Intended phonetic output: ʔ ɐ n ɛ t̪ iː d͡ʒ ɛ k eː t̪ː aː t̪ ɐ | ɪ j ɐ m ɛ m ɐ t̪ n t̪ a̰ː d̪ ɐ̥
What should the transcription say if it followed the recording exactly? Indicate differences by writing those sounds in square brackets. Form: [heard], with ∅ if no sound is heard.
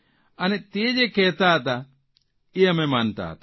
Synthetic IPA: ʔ ɐ n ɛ t̪ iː d͡ʒ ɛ k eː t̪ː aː t̪ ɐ | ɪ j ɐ m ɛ m ɐ [∅] n t̪ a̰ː [t̪] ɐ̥